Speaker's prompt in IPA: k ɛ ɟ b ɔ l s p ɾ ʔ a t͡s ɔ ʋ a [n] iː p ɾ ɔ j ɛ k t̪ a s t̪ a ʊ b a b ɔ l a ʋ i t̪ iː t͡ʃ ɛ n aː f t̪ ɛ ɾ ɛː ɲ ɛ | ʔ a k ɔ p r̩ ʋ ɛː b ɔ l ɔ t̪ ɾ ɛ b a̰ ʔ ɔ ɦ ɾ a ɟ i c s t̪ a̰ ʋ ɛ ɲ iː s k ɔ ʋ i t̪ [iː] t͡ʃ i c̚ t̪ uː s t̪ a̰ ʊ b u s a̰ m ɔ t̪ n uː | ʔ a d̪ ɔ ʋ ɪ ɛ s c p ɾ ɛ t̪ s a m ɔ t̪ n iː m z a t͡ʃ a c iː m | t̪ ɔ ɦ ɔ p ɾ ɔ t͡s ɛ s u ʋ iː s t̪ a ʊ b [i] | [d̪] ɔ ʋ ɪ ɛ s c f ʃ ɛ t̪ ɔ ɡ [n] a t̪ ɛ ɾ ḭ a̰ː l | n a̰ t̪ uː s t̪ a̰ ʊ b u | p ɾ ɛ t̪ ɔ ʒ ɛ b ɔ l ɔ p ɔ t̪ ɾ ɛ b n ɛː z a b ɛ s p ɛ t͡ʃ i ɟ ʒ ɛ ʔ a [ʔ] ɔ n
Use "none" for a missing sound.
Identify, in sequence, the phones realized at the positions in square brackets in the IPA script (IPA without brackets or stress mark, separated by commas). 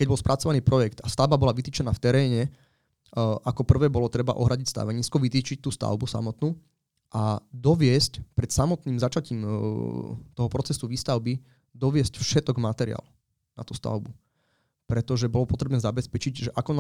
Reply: n, iː, i, d̪, m, k